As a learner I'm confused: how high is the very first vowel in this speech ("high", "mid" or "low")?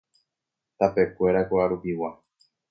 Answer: low